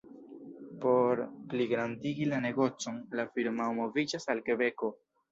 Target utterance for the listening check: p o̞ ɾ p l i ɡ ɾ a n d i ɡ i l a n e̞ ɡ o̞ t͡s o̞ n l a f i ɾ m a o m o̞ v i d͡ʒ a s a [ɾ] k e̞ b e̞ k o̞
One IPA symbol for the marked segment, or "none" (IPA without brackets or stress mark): l